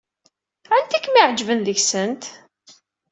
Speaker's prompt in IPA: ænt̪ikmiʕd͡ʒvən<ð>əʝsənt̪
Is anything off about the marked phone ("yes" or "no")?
no